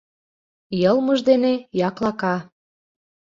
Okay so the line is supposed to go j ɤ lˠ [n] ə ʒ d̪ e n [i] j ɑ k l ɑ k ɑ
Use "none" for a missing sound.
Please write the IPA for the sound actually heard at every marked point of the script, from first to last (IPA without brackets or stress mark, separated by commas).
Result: m, e